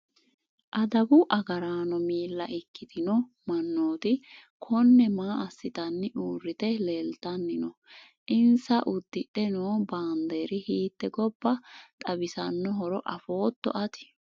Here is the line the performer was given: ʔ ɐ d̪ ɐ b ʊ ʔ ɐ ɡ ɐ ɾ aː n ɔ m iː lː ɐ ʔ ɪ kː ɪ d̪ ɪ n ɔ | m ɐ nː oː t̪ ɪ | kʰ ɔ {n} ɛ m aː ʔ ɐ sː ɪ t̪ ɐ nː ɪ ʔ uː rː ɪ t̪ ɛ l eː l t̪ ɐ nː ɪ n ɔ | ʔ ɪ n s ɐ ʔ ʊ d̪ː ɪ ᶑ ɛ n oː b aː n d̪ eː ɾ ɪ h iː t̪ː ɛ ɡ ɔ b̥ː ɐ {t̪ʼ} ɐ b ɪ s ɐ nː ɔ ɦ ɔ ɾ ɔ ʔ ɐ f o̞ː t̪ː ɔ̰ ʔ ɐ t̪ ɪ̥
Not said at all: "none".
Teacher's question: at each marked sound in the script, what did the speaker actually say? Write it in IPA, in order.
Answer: nː, t̪ʼ

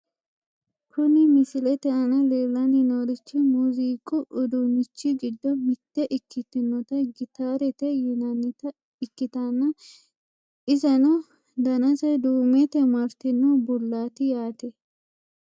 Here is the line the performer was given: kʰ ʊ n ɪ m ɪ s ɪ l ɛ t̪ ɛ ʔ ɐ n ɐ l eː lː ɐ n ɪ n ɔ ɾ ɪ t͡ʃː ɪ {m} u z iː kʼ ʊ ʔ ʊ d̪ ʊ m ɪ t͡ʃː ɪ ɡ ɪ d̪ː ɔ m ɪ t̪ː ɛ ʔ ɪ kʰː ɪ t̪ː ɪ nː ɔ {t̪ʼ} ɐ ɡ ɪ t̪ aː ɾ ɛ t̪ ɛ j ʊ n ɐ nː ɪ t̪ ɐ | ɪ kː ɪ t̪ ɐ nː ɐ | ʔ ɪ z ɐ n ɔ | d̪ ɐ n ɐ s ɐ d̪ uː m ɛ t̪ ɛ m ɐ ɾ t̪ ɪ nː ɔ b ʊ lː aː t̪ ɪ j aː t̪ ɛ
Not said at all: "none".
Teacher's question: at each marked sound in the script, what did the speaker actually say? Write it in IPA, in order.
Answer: m, t̪

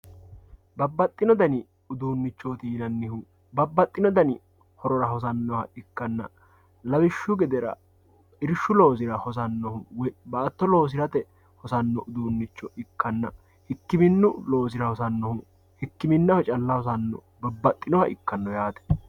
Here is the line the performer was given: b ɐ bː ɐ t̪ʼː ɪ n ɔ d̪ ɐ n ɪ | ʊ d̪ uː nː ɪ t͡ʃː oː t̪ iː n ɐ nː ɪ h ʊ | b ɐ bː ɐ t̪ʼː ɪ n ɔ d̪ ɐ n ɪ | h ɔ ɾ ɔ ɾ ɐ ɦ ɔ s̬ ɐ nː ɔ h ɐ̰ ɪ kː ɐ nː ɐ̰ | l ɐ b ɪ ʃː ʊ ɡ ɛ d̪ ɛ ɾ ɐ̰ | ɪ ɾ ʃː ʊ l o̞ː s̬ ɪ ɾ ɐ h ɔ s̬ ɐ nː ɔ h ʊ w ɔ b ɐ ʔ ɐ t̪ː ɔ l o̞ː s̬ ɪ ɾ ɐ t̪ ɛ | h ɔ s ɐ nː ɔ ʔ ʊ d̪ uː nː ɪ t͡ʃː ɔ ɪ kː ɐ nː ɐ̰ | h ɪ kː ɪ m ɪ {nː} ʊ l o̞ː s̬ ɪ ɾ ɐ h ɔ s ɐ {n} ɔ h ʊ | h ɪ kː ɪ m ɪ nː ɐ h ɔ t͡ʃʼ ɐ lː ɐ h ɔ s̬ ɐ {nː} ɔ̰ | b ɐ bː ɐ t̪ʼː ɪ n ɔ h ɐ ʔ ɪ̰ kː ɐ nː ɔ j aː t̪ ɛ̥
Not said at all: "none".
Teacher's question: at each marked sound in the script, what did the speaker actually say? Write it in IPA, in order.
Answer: nː, nː, nː

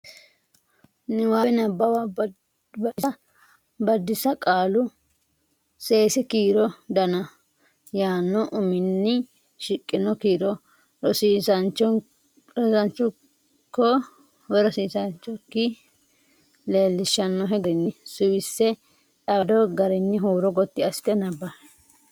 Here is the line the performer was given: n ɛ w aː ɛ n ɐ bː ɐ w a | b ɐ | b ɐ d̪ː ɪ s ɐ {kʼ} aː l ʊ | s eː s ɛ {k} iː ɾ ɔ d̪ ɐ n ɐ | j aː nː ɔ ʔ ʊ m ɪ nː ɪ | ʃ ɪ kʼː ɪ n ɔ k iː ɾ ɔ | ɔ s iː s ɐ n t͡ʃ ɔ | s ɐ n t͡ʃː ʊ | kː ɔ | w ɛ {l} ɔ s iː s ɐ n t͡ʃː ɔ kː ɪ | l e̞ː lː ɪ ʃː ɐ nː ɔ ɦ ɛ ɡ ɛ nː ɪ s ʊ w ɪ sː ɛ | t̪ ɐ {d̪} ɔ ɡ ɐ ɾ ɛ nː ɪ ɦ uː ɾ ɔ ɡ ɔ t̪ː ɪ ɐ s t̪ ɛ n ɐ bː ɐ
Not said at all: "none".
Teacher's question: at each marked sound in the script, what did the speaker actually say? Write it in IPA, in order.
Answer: kʼ, k, ɾ, d̪

